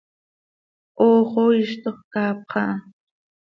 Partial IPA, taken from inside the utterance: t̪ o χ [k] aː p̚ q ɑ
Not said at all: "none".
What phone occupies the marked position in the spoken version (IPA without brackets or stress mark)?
k